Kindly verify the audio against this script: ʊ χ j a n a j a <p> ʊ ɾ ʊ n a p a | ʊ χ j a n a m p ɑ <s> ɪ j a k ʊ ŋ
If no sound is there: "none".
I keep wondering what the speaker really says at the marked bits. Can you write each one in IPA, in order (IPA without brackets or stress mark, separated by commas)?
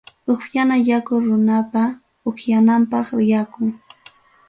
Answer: k, χ